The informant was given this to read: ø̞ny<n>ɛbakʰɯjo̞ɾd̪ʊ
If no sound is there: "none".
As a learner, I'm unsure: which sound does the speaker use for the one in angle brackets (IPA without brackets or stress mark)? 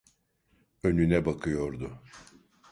n